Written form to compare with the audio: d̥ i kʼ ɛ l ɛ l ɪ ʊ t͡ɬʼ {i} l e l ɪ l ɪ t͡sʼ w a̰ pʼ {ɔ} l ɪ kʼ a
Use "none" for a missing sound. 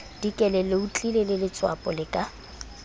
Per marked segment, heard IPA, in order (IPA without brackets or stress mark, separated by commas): i, ɔ